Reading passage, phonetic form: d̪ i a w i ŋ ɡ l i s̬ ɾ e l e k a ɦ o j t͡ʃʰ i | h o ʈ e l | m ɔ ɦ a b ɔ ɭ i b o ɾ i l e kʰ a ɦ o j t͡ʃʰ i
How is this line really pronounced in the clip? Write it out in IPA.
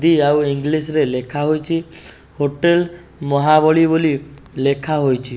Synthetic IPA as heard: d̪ i a w i ŋ ɡ l i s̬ ɾ e l e kʰ a ɦ o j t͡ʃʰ i | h o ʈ e l | m ɔ ɦ a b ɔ ɭ i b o l i l e kʰ a ɦ o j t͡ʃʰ i